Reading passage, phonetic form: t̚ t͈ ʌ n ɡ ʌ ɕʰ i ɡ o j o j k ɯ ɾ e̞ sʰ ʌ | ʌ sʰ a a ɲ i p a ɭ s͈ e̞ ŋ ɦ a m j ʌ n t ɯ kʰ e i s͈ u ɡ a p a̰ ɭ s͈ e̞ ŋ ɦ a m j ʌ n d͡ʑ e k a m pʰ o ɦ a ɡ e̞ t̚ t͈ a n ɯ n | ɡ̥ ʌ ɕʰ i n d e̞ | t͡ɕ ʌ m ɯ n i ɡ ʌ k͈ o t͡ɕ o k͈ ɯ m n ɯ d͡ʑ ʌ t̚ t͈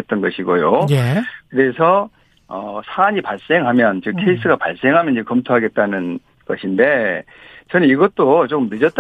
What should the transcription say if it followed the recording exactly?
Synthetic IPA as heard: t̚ t͈ ʌ n ɡ ʌ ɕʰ i ɡ o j o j k ɯ ɾ e̞ sʰ ʌ | ʌ sʰ a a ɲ i p a ɭ s͈ e̞ ŋ ɦ a m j ʌ n t͡ɕ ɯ kʰ e i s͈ ɯ ɡ a p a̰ ɭ s͈ e̞ ŋ ɦ a m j ʌ n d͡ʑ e k ʌ m tʰ o ɦ a ɡ e̞ t̚ t͈ a n ɯ n | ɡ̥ ʌ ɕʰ i n d e̞ | t͡ɕ ʌ n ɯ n i ɡ ʌ t͈ o t͡ɕ o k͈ ɯ m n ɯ d͡ʑ ʌ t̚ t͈